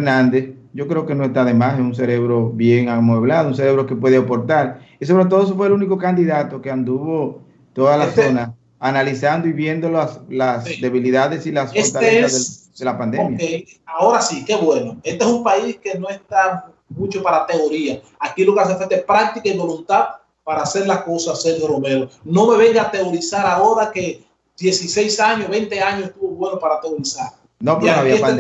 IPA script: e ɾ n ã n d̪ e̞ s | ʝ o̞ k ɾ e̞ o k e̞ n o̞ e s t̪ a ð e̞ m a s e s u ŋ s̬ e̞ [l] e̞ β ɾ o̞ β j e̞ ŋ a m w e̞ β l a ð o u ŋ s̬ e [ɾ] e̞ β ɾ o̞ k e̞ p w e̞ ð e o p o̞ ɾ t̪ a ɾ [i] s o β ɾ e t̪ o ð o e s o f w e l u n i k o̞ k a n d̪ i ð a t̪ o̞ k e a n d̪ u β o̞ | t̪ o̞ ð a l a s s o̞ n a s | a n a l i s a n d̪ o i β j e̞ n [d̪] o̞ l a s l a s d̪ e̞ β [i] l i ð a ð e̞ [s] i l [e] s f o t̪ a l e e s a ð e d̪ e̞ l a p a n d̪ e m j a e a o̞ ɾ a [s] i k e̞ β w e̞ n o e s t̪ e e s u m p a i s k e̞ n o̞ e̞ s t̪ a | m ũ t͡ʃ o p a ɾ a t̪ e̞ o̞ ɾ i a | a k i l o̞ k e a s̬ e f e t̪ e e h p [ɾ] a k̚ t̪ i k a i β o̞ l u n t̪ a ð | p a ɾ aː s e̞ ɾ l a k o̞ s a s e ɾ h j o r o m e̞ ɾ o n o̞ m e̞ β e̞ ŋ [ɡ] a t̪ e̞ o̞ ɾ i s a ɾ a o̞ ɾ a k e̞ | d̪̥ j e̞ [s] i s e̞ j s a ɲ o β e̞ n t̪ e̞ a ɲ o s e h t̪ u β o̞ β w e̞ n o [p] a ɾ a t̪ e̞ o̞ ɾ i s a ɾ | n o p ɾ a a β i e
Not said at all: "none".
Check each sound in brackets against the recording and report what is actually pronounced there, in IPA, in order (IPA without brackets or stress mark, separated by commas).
ɾ, ɾ, i, d̪, i, s, a, s, ɾ, ɡ, s, p